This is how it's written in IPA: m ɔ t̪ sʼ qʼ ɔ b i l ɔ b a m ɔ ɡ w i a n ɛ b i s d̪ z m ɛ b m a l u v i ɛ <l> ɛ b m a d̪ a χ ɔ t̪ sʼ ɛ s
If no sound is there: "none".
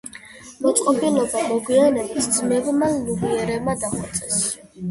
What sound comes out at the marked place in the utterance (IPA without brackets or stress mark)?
ɾ